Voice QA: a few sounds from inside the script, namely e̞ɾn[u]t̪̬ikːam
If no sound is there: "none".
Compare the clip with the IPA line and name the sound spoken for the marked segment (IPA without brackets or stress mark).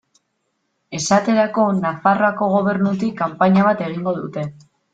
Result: u